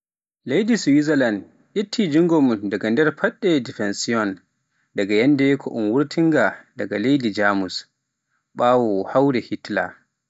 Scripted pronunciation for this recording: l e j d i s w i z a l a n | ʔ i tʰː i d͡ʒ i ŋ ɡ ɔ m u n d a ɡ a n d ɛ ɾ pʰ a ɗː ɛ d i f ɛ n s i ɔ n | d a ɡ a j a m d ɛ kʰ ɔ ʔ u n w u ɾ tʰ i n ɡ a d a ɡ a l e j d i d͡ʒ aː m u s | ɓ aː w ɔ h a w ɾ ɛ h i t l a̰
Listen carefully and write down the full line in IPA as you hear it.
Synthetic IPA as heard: l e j d i s w i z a l a n | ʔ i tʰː i d͡ʒ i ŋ ɡ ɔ m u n d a ɡ a n d ɛ ɾ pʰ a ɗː ɛ d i f ɛ n s i ɔ n | d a ɡ a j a n d ɛ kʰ ɔ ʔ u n w u ɾ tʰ i ŋ ɡ a d a ɡ a l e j d i d͡ʒ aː m u s | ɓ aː w ɔ h a w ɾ ɛ h i t l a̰